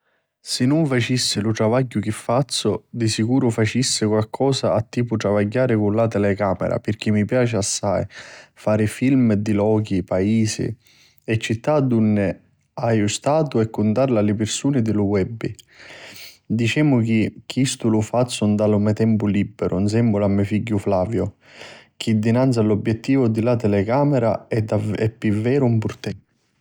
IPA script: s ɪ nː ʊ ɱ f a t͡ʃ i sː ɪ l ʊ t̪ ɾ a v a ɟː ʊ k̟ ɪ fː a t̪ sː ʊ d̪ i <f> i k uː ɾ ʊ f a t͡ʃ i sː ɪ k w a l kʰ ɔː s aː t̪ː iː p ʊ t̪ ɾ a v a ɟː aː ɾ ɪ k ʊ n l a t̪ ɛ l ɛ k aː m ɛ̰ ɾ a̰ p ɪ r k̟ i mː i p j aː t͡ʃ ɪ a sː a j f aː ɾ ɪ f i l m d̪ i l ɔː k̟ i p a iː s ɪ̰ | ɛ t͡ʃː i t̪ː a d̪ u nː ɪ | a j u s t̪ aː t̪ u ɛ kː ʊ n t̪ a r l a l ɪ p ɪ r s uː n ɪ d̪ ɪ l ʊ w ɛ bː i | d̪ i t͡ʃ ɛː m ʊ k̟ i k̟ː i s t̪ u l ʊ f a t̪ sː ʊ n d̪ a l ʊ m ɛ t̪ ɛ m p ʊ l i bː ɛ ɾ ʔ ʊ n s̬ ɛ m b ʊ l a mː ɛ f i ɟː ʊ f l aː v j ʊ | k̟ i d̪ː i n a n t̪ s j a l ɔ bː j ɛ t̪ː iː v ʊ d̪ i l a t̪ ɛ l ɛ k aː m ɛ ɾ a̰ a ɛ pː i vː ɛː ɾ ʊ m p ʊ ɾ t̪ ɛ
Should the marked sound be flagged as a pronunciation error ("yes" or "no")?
yes